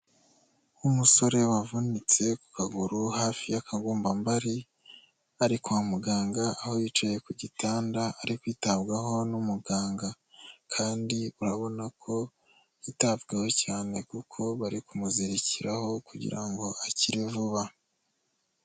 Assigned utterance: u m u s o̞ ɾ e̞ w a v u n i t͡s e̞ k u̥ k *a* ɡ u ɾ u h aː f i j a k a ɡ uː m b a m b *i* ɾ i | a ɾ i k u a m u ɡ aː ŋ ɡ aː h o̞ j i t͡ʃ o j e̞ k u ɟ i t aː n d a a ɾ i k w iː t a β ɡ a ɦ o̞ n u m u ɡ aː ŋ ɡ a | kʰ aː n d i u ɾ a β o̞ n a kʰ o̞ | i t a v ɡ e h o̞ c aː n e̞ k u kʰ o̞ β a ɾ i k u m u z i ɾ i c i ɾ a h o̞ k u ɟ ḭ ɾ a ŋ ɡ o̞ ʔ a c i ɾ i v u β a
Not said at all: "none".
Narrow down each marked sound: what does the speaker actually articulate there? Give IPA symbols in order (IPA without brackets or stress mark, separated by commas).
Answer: a, a